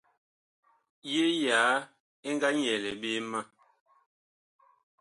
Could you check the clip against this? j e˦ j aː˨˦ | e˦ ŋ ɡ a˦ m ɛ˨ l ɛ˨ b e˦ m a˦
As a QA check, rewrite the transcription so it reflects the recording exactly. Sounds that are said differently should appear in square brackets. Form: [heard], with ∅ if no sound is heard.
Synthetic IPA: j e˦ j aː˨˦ | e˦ ŋ ɡ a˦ [ɲ] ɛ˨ l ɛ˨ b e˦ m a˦